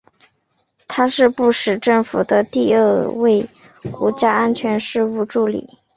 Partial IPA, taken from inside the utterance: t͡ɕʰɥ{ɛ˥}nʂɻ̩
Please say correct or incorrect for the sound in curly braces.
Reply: incorrect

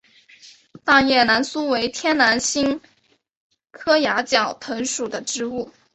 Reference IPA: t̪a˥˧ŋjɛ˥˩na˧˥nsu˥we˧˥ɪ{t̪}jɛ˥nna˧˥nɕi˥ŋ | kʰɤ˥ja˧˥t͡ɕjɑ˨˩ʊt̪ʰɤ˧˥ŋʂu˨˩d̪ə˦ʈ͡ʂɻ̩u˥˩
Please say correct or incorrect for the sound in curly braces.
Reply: incorrect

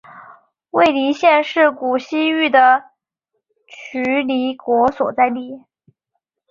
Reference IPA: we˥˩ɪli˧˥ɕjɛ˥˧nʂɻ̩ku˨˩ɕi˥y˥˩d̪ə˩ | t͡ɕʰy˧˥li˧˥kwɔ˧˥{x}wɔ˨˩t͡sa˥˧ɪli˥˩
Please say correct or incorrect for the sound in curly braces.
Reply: incorrect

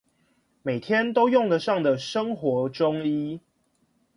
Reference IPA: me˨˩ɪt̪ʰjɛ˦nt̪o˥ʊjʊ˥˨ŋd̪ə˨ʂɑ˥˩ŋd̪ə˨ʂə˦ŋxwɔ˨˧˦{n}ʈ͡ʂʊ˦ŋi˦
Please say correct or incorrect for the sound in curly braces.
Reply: incorrect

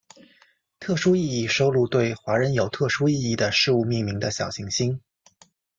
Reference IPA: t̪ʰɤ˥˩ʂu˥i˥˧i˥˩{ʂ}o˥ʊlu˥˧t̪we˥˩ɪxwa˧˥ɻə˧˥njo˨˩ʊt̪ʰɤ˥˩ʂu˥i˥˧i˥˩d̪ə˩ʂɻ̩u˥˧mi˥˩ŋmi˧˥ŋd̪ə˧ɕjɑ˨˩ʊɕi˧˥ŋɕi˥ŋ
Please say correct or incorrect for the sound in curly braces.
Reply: correct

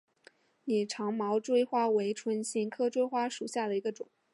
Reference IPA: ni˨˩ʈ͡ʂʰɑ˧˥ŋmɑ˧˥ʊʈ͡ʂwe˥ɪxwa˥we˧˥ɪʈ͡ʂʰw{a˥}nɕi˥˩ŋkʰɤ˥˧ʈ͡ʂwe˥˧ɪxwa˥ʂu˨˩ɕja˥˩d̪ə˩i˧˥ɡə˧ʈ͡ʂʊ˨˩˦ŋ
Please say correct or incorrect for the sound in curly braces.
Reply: incorrect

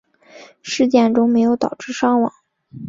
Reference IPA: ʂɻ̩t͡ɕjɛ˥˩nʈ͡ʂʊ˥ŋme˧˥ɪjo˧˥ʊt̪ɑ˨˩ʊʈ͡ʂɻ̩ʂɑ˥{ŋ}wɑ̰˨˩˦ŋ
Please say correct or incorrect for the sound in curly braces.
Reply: correct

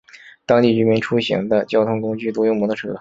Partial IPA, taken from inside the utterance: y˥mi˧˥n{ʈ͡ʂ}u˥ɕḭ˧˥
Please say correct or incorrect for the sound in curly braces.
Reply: incorrect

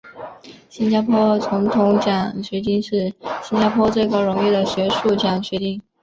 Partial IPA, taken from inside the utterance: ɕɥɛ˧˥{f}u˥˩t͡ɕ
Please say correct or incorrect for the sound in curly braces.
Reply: incorrect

